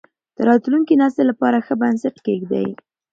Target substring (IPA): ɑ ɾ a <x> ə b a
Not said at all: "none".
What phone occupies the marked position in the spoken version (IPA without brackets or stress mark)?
x